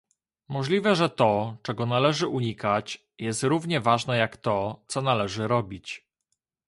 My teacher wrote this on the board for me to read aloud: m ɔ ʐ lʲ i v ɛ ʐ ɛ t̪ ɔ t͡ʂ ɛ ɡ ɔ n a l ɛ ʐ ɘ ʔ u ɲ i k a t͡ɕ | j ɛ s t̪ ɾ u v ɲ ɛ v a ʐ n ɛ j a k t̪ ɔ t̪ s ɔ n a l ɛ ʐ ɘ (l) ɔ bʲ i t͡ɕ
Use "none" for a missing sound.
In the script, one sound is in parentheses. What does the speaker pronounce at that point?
ɾ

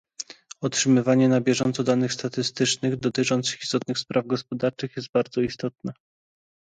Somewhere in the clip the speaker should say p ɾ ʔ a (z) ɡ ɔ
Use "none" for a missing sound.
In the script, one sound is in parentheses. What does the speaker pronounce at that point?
v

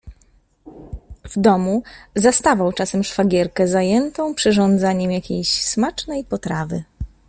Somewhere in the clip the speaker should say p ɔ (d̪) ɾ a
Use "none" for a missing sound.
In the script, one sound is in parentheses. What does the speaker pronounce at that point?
t̪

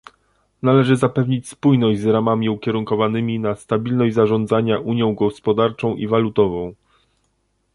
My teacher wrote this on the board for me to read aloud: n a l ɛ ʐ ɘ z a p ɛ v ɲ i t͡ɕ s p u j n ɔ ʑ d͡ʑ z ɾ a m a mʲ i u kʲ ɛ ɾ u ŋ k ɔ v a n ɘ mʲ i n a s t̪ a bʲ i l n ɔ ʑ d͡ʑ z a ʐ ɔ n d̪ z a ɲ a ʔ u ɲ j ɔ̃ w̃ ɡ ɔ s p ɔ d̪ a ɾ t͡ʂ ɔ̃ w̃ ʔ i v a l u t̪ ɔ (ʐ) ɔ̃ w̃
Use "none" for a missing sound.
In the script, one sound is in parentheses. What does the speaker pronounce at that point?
v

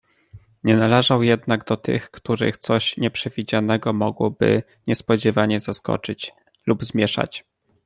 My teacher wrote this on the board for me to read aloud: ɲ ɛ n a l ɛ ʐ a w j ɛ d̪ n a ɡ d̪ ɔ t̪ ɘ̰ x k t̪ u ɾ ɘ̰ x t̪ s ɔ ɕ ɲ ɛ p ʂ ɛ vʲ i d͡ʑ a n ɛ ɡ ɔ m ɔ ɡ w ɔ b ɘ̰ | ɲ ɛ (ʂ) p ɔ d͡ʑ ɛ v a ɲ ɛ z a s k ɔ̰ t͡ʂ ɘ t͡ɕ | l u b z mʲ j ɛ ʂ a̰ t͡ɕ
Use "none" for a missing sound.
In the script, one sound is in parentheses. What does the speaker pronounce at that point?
s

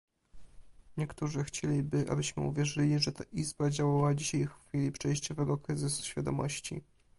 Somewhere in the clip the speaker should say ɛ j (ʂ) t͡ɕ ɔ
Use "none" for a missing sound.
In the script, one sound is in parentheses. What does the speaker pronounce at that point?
ɕ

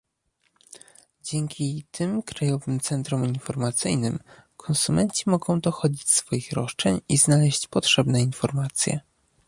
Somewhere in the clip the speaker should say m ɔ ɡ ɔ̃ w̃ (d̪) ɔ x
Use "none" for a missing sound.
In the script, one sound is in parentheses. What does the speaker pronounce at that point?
d̪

